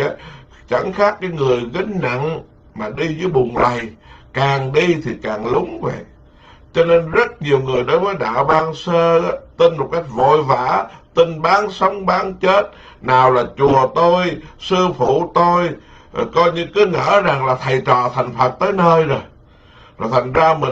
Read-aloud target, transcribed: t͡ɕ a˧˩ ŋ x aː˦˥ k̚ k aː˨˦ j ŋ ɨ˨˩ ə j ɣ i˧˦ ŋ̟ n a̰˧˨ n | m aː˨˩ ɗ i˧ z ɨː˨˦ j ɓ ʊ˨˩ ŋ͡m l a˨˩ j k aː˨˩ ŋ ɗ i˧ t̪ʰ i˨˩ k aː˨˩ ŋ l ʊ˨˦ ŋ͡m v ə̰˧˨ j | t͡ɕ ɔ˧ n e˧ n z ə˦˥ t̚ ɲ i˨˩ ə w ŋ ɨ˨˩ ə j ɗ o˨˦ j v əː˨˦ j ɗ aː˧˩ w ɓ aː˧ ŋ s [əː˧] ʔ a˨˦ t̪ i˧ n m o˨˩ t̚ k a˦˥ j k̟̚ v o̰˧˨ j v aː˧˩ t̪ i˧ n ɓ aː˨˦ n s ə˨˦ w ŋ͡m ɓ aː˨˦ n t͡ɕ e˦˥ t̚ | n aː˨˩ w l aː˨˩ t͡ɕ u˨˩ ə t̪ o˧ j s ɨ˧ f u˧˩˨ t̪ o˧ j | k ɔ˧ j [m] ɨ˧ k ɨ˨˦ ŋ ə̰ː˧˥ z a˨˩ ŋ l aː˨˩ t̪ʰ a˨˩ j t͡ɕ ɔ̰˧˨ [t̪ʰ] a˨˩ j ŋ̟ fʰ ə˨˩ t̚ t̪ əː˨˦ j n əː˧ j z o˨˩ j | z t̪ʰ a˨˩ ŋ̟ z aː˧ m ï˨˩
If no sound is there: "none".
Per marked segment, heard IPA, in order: əː˧, ɲ, t̪ʰ

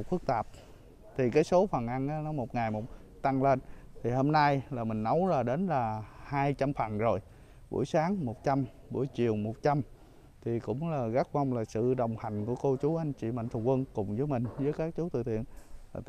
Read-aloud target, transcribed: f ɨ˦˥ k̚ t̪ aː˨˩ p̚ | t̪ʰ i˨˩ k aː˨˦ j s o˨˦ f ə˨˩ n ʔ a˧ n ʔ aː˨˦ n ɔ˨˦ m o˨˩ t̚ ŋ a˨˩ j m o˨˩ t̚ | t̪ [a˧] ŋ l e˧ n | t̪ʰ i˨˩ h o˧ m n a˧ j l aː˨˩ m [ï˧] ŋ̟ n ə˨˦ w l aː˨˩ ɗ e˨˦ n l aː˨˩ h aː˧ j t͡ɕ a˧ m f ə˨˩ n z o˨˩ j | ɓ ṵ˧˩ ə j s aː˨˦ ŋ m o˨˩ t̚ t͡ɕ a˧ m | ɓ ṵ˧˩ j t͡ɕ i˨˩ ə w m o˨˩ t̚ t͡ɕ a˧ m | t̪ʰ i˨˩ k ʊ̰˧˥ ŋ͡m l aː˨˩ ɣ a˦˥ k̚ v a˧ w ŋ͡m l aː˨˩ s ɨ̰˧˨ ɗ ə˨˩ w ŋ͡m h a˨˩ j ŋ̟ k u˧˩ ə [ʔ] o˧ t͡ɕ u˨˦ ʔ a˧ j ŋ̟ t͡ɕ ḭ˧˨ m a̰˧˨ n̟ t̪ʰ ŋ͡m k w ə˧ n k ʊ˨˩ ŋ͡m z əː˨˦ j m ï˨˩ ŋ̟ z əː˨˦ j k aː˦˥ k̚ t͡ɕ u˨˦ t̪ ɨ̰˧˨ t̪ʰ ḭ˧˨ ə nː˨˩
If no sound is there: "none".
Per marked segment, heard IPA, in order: a˧, ï˨˩, k

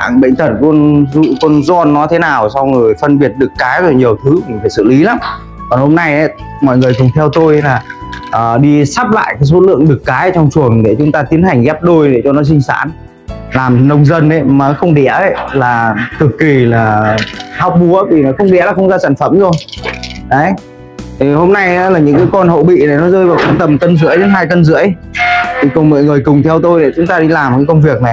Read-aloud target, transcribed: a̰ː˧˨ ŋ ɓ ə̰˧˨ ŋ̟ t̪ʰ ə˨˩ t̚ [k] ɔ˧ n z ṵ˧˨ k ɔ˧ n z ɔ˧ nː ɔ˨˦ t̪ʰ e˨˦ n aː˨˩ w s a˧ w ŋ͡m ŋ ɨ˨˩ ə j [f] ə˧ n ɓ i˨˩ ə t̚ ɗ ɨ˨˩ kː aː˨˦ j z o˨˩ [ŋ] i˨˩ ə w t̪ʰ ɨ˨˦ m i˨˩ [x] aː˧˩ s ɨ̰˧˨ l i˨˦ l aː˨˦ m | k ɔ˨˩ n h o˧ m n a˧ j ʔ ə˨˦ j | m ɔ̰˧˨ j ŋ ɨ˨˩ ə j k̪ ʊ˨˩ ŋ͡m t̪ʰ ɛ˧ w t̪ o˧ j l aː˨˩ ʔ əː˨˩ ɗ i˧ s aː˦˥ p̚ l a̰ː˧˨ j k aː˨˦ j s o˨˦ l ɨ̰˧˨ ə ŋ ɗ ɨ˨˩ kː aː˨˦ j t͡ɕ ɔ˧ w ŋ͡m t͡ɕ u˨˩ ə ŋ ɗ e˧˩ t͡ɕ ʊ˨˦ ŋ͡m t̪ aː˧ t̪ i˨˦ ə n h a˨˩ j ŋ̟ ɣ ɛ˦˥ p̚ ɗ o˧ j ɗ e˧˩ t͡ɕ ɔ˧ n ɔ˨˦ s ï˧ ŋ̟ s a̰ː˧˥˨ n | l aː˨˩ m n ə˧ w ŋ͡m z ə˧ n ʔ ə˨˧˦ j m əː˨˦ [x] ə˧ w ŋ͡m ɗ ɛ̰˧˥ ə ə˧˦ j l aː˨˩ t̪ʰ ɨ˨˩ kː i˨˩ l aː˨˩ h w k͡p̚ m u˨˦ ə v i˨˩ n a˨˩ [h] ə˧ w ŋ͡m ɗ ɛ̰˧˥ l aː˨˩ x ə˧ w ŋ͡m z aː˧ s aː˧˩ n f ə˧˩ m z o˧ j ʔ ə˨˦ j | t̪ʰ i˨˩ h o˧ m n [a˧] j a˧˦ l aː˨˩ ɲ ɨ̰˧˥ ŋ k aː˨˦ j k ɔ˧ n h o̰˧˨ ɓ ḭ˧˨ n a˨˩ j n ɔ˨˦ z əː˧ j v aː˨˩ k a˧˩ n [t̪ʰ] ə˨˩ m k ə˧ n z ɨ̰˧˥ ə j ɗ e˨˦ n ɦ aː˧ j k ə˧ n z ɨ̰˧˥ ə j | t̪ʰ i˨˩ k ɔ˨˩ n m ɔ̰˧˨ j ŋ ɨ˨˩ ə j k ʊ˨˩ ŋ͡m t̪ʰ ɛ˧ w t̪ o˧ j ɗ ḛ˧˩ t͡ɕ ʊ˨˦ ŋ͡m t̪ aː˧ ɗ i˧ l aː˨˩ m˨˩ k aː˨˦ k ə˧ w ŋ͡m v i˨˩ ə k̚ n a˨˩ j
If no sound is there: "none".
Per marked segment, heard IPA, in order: k, f, ɲ, f, x, x, a˧, t̪

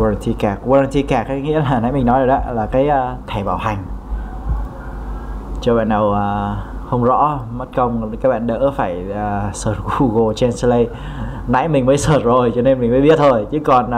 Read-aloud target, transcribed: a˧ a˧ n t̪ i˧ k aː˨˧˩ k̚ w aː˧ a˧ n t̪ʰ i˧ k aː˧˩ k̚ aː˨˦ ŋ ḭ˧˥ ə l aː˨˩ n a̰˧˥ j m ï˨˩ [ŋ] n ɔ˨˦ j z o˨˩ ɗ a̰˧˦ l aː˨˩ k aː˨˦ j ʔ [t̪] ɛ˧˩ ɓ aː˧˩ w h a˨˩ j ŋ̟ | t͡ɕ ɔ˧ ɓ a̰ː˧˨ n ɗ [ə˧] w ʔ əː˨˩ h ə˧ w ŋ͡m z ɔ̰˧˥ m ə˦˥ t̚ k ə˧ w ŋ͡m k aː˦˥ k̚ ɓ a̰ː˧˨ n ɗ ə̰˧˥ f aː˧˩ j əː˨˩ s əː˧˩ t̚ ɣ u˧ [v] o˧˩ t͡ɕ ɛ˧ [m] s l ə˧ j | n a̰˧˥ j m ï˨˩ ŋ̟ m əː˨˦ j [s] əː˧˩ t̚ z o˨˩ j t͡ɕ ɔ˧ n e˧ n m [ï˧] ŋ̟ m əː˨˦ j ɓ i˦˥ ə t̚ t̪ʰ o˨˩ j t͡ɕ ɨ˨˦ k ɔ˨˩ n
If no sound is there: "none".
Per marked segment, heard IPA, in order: ŋ, t̪ʰ, ə˨˩, ɣ, n, s, ï˨˩

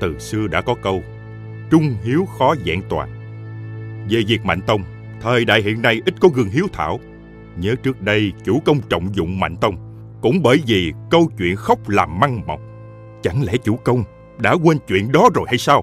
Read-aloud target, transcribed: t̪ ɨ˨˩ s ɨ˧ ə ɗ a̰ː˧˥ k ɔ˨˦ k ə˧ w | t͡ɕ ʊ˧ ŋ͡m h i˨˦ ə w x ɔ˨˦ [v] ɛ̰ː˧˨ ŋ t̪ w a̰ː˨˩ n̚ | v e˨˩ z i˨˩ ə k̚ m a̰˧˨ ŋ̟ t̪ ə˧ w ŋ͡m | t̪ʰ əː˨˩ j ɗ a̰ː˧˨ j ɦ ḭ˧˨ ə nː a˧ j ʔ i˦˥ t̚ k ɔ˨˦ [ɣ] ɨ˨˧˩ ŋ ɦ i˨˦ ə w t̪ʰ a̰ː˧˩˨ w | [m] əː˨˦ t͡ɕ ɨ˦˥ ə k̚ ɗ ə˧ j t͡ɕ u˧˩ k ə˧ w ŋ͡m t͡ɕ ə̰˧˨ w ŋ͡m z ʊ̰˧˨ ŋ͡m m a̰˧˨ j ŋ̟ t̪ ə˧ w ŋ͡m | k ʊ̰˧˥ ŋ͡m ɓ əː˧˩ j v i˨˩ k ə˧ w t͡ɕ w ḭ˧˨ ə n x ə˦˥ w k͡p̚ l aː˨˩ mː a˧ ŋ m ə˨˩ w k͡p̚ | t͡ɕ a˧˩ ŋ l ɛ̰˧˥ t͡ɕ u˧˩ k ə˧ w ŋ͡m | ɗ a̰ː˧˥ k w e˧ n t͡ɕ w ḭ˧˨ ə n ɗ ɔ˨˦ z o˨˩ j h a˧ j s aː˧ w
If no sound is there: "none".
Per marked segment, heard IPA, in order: z, ɣ, ɲ

